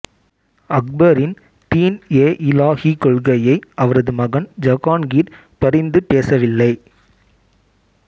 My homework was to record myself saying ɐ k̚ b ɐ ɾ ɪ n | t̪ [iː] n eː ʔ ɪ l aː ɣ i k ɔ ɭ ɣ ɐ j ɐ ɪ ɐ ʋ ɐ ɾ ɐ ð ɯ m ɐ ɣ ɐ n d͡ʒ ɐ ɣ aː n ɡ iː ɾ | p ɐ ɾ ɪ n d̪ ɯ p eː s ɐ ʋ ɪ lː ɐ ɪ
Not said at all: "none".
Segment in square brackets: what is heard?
iː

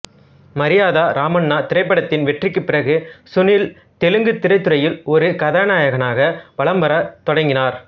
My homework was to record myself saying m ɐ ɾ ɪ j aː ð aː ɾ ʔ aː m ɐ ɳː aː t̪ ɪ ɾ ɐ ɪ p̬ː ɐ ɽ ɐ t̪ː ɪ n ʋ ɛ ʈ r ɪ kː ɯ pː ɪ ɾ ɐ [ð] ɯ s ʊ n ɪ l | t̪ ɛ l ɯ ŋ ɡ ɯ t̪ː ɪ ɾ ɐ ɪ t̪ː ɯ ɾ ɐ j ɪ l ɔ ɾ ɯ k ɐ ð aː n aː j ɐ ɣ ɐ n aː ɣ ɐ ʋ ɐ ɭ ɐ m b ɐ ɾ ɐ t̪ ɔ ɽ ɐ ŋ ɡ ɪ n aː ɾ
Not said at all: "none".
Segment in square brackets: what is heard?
ɣ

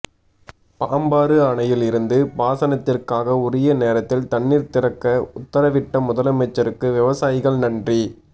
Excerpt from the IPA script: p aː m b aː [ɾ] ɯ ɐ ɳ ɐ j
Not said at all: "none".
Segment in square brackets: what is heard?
ɾ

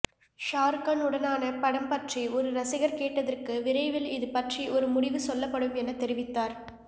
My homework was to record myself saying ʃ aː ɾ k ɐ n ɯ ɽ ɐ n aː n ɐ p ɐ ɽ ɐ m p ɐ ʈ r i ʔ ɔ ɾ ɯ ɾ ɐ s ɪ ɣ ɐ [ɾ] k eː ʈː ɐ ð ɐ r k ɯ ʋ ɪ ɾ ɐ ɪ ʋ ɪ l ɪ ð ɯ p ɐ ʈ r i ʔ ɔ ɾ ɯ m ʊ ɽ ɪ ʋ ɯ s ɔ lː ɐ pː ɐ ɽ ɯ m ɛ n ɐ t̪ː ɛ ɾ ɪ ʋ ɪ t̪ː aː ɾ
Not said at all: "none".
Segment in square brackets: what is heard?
ɾ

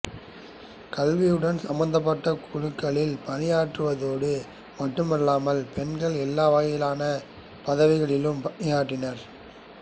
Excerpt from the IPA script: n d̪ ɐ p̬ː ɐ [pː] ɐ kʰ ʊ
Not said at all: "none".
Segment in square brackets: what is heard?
ʈː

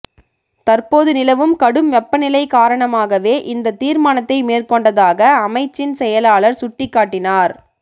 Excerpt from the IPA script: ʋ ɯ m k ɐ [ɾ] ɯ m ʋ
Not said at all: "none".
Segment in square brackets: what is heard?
ɽ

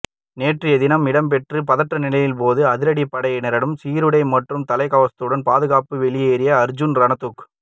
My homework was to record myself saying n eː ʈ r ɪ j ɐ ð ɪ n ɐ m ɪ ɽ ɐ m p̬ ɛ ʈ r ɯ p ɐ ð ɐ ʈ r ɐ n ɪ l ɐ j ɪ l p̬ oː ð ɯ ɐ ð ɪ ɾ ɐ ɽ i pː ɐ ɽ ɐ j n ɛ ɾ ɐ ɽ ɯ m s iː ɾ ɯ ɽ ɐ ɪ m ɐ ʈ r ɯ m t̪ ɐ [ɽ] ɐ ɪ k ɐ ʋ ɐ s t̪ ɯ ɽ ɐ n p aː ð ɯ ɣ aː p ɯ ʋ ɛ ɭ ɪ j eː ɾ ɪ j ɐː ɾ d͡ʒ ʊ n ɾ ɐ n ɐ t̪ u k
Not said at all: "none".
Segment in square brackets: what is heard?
l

